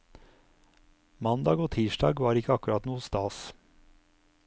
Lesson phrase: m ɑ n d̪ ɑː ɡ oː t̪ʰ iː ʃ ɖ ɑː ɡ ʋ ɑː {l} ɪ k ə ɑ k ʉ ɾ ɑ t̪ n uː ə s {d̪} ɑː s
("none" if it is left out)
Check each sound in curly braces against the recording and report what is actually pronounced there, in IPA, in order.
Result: ɾ, t̪

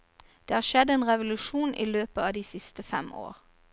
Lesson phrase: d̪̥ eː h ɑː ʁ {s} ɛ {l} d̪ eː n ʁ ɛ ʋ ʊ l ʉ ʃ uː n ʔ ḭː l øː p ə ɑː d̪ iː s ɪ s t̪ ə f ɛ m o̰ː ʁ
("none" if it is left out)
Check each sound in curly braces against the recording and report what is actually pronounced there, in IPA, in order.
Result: ʃ, none

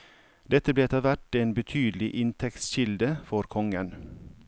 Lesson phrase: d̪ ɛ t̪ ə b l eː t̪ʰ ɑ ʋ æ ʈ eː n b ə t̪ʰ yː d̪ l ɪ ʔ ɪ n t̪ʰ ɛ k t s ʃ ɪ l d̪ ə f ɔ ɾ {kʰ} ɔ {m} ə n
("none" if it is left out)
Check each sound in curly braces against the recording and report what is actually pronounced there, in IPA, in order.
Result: kʰ, ŋ

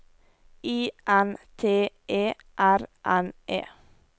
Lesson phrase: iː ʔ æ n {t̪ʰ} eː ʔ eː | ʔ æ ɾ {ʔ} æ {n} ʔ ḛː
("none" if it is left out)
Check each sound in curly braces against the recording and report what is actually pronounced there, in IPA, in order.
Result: t̪ʰ, ʔ, n

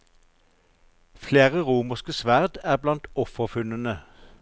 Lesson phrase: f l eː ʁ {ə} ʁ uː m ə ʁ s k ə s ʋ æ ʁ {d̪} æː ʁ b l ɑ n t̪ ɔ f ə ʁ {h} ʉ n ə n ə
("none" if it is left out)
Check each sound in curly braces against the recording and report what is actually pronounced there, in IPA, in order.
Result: ə, d̪, f

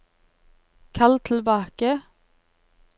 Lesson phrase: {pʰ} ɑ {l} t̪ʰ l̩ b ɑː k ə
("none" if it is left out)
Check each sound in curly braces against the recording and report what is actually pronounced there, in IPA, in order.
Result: kʰ, l

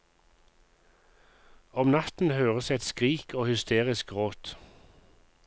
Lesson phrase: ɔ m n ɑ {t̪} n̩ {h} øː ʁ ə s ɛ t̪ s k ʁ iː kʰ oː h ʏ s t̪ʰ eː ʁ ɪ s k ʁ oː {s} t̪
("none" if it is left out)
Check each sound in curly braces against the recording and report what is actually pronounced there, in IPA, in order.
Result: t̪, h, none

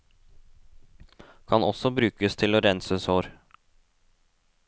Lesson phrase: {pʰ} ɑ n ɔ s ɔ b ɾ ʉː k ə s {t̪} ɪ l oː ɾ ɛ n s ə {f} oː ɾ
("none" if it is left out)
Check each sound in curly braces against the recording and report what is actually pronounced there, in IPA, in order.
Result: kʰ, t̪ʰ, s

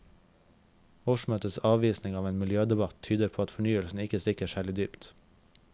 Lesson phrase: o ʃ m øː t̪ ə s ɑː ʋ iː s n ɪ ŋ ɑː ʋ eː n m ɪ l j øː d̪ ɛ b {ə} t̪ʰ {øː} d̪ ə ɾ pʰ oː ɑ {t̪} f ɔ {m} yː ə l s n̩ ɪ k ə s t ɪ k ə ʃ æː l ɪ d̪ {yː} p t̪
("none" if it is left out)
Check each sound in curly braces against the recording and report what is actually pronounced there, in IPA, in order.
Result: ɑ, yː, t̪, ɳ, yː

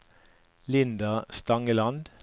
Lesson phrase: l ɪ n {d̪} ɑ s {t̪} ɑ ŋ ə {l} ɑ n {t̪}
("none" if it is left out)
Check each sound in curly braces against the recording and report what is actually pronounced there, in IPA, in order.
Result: d̪, t̪, l, d̪

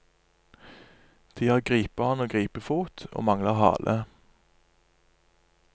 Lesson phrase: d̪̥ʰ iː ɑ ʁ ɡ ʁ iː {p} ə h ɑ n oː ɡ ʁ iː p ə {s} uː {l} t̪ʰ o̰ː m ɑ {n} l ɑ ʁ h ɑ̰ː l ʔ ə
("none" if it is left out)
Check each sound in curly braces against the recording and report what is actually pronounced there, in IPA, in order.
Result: p, f, none, ŋ

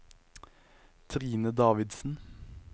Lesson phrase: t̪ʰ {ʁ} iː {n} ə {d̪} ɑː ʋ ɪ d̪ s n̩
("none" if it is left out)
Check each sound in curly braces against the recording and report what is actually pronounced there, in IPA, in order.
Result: ʁ, n, d̪

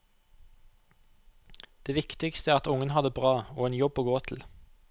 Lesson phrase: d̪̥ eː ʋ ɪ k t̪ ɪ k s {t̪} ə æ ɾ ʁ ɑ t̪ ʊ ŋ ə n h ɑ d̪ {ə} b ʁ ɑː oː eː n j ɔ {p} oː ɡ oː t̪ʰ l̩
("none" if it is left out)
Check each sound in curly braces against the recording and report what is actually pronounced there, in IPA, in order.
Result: t̪, ə, b

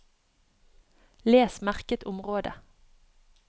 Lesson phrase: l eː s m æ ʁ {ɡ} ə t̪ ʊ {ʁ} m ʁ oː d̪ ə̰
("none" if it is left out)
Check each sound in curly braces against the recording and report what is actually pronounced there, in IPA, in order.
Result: k, none

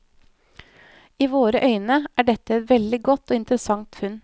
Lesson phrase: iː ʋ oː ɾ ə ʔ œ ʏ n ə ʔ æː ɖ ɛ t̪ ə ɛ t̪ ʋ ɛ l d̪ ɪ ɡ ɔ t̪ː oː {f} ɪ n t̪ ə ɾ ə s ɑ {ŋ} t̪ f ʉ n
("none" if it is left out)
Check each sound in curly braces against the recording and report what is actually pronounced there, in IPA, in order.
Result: none, ŋ

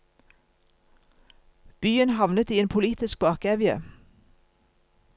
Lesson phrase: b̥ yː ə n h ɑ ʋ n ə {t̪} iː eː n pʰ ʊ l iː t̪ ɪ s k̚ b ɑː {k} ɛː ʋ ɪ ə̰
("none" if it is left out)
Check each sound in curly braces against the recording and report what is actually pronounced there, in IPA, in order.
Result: t̪, k

